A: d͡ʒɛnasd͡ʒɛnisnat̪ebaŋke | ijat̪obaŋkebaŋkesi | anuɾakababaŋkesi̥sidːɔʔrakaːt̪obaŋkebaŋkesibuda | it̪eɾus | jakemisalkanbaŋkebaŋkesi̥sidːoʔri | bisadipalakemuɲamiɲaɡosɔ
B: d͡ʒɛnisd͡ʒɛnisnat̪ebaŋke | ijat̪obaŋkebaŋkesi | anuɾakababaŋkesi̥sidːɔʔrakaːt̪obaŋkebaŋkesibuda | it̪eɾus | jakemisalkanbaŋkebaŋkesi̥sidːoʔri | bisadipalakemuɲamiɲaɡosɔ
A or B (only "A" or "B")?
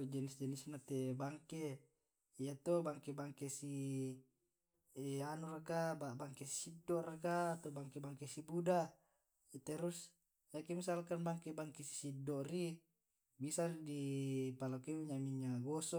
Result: B